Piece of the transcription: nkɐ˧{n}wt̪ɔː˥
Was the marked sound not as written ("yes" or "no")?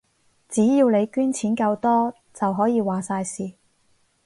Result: yes